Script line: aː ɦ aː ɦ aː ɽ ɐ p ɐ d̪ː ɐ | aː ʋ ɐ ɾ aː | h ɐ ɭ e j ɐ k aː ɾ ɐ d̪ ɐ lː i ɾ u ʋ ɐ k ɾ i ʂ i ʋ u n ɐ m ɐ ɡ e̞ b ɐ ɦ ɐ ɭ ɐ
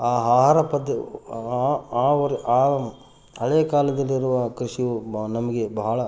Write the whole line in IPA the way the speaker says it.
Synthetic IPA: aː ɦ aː ɦ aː ɾ ɐ p ɐ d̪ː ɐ | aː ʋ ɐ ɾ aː | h ɐ ɭ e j ɐ k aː l ɐ d̪ ɐ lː i ɾ u ʋ ɐ k ɾ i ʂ i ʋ u n ɐ m ɐ ɡ e̞ b ɐ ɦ ɐ ɭ ɐ